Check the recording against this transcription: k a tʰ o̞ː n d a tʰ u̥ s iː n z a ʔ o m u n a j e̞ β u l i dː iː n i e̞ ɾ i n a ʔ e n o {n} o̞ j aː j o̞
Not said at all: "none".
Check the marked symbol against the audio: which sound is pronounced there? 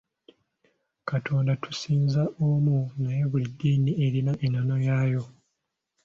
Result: n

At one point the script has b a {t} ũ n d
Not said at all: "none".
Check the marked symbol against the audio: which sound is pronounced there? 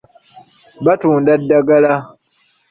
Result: t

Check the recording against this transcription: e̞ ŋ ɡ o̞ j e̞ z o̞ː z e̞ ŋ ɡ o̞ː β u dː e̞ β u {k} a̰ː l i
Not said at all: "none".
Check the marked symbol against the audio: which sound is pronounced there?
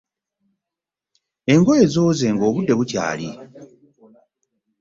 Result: c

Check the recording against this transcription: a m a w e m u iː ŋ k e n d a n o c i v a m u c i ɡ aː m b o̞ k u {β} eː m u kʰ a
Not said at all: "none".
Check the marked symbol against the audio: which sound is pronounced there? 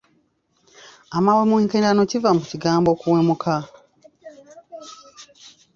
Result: w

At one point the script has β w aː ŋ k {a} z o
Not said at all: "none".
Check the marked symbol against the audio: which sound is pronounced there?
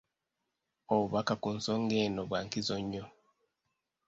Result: i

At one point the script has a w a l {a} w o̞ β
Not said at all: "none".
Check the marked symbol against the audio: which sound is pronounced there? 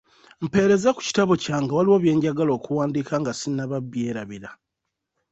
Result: i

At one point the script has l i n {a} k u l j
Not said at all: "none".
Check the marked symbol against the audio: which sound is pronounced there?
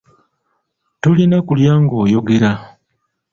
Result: a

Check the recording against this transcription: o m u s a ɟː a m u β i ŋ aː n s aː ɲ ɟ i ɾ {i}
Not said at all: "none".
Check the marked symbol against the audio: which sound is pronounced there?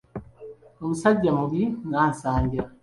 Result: a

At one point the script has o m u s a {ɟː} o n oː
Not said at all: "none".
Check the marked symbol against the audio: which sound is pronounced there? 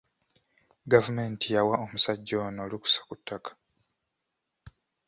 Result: ɟː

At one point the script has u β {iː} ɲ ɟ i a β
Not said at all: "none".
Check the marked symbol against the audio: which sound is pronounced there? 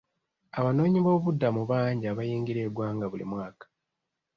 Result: aː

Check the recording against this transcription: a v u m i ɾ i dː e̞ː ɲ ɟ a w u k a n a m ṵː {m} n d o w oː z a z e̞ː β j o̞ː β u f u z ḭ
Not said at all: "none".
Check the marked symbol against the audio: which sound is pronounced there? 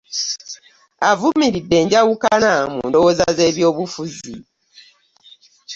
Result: none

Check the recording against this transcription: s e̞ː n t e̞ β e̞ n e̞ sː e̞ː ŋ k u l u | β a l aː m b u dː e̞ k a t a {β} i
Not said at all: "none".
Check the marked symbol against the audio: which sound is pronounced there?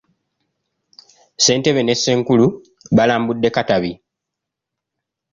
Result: β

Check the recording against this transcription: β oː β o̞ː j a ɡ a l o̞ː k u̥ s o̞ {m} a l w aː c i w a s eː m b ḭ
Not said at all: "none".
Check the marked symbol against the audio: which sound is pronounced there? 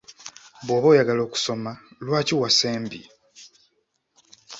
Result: m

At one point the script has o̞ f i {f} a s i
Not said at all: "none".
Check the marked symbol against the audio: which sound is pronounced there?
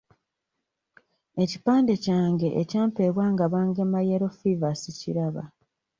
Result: v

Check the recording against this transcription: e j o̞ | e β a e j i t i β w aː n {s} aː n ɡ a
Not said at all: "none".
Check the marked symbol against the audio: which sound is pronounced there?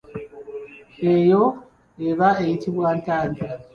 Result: t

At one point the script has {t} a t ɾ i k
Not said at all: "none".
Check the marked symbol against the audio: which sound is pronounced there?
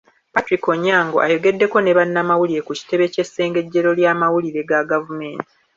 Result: p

